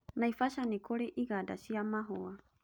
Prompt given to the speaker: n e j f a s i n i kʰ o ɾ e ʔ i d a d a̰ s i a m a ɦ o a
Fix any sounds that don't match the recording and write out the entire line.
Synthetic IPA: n a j f a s a n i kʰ o ɾ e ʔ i ɡ a d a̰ s i a m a ɦ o a

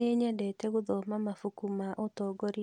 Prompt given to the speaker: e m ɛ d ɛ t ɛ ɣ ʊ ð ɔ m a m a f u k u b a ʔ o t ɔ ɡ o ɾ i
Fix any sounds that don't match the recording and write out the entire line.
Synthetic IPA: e ɲ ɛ d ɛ t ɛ ɣ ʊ ð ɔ m a m a f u k u m a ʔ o t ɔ ɡ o ɾ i

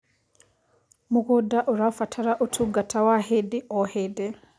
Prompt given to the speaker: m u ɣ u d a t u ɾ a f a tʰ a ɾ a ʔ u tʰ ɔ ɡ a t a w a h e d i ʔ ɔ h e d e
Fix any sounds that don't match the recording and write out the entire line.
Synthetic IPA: m u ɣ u d a ʔ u ɾ a f a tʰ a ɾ a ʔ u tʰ u ɡ a t a w a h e d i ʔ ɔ h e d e

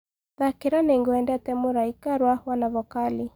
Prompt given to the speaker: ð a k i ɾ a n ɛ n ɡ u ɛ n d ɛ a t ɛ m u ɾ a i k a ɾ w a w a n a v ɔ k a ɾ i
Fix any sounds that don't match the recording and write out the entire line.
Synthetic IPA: ð a k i ɾ a n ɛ ŋ ɡ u ɛ n d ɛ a t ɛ m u ɾ a i k a ɾ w a w a n a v ɔ k a l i

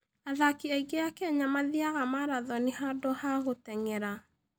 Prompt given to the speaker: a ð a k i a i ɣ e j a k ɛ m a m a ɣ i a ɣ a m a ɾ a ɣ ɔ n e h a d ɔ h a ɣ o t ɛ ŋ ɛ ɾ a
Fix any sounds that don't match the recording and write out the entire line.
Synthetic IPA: a ð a k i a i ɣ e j a k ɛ ɲ a m a ð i a ɣ a m a ɾ a ð ɔ n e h a d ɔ h a ɣ o t ɛ ŋ ɛ ɾ a

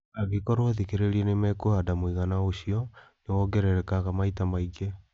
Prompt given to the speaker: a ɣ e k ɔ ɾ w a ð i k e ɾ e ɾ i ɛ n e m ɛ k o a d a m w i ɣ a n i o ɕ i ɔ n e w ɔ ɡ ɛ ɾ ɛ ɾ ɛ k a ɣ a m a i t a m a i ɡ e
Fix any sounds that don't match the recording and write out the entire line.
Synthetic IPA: a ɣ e k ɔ ɾ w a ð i k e ɾ e ɾ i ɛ n e m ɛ k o a d a m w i ɣ a n a o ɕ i ɔ n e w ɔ ɡ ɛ ɾ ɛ ɾ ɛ k a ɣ a m a i t a m a i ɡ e

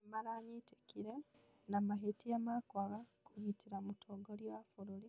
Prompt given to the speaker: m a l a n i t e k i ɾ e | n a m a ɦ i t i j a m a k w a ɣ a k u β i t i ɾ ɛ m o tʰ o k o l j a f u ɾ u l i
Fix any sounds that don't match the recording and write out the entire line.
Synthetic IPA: m a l a ɲ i t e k i ɾ e | n a m a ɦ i t i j a m a k w a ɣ a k u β i t i ɾ a m u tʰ o ɡ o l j a f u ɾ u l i

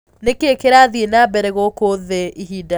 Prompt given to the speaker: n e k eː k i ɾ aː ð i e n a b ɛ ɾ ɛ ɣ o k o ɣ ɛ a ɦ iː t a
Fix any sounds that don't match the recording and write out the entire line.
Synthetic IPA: n e k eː k e ɾ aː ð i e n a b ɛ ɾ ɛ ɣ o k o ð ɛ i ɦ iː d a

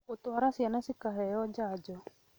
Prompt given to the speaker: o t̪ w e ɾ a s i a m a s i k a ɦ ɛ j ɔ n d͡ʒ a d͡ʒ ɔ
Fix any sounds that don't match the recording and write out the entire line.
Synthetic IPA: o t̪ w a ɾ a s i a n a s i k a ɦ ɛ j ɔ d͡ʒ a d͡ʒ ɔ

